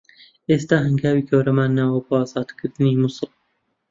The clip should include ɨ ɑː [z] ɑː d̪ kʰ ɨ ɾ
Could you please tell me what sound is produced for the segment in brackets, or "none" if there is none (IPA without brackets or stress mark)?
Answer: z